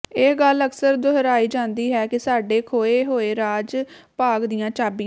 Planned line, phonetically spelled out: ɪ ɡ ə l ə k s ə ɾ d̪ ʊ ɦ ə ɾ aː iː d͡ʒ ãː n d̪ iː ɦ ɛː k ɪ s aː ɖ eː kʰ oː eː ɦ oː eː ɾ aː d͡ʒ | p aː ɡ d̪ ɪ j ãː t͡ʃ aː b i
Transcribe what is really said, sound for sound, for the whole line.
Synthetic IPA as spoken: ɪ ɡ ə l ə k s ə ɾ d̪ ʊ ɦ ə ɾ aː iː d͡ʒ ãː n d̪ iː ɦ ɛː k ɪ s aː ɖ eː kʰ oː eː ɦ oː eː ɾ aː d͡ʒ | p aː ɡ d̪ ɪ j ãː t͡ʃ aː b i